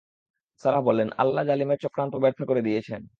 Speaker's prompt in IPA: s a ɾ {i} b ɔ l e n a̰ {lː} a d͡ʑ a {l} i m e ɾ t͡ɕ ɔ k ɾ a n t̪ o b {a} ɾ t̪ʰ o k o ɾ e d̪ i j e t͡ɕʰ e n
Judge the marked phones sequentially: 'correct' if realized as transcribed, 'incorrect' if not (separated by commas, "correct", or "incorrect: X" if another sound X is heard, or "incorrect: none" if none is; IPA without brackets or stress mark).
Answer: incorrect: a, correct, correct, incorrect: ɛ